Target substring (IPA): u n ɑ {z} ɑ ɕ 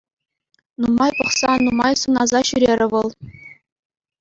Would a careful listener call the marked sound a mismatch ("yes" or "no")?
no